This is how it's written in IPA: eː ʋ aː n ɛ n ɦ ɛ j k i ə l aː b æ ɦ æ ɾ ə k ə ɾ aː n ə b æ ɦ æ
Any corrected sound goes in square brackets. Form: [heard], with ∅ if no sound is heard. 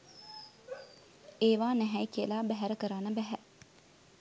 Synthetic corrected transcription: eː ʋ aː n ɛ [∅] ɦ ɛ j k i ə l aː b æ ɦ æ ɾ ə k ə ɾ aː n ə b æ ɦ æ